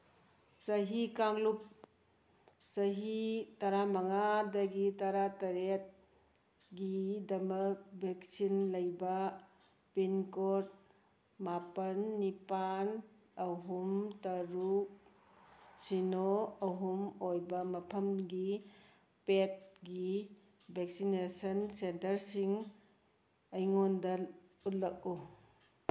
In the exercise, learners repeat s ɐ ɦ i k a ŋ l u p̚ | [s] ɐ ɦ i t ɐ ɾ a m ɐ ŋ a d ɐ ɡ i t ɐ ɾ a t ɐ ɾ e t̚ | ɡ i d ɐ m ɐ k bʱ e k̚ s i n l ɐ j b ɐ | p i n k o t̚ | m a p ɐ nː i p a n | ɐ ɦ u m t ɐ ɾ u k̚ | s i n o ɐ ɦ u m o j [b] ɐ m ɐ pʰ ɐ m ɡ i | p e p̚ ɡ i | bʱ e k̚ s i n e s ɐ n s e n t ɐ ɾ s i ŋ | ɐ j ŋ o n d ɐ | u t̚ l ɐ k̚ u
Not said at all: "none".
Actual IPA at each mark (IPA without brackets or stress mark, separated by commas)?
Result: s, b